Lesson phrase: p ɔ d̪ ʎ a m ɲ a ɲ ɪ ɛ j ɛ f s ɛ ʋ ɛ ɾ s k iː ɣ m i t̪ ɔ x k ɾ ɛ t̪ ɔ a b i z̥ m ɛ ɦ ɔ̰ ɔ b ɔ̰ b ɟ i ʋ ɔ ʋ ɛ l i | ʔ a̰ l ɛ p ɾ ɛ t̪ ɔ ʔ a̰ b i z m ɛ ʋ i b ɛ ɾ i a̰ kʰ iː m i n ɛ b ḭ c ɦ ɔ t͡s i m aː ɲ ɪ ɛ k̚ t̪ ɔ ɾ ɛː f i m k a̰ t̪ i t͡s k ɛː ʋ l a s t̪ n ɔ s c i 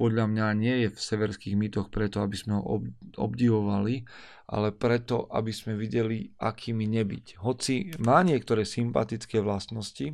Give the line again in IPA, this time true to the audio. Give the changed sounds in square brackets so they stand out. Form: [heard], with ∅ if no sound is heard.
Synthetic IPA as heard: p ɔ d̪ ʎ a m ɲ a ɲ ɪ ɛ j ɛ f s ɛ ʋ ɛ ɾ s k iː ɣ m i t̪ ɔ x [p] ɾ ɛ t̪ ɔ a b i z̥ m ɛ ɦ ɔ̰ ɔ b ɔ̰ b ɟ i ʋ ɔ ʋ [a] l i | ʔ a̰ l ɛ p ɾ ɛ t̪ ɔ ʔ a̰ b i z m ɛ ʋ i [ɟ] ɛ [l] i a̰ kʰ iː m i [ɲ] ɛ b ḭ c ɦ ɔ t͡s i m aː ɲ ɪ ɛ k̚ t̪ ɔ ɾ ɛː [s] i m [p] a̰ t̪ i t͡s k ɛː ʋ l a s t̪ n ɔ s c i